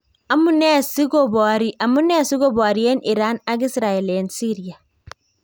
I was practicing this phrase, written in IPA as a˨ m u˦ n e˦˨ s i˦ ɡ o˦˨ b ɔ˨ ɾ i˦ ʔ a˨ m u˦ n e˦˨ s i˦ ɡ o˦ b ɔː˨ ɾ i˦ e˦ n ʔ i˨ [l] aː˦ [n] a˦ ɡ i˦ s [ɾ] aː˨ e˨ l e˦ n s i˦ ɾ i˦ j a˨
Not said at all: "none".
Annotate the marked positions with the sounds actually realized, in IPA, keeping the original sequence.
ɾ, n, ɾ

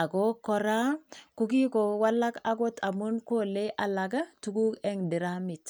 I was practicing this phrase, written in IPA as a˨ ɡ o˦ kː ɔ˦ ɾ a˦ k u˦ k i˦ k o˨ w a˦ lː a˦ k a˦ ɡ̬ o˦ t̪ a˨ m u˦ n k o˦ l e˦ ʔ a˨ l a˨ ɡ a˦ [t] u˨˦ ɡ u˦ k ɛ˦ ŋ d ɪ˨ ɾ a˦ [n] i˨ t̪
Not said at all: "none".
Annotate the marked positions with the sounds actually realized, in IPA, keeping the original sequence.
t, m

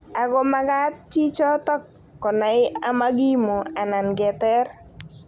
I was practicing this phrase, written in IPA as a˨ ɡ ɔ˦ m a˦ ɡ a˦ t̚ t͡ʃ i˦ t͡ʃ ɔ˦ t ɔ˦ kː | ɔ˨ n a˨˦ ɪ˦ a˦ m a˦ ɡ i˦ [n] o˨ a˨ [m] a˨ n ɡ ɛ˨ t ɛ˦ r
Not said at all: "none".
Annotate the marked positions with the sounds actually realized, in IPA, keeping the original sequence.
m, n

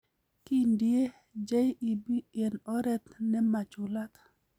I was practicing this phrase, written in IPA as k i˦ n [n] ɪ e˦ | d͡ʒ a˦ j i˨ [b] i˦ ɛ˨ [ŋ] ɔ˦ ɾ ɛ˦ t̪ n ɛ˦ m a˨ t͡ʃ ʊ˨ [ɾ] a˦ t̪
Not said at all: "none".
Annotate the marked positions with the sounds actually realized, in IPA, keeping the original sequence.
d, b, n, l

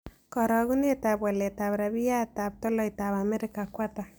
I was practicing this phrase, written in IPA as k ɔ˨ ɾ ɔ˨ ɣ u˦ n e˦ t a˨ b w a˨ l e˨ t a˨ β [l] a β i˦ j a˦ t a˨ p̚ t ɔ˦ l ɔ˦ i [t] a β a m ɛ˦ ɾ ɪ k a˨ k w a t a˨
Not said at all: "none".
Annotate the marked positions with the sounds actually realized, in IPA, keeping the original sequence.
ɾ, t

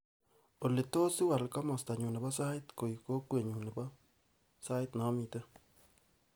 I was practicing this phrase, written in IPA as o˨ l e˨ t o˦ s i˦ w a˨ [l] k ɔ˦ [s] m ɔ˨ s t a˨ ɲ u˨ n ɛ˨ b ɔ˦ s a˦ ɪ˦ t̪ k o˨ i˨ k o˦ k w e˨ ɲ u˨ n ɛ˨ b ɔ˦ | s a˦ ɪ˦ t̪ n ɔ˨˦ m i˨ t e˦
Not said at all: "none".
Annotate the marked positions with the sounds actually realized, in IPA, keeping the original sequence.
l, none

